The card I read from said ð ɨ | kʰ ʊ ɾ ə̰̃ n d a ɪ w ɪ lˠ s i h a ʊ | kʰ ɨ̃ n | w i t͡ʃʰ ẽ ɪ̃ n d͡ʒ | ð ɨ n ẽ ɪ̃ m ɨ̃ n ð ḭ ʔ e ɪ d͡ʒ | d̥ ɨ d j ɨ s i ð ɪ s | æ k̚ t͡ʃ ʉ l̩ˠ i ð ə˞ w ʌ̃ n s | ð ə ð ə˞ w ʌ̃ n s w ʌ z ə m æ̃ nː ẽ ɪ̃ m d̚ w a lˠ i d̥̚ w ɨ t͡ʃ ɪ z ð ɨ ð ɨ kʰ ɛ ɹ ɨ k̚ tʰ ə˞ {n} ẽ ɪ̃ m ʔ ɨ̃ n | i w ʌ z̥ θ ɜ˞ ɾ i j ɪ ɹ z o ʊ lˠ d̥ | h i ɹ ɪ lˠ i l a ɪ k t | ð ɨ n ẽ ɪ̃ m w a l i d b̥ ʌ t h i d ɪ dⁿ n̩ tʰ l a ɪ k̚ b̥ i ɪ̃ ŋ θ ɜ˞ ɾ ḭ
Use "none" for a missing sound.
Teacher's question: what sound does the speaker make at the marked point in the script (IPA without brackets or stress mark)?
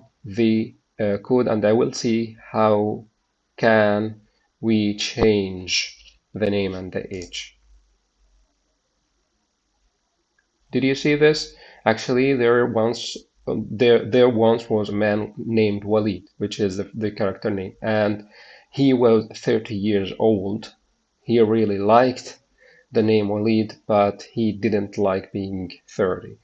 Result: n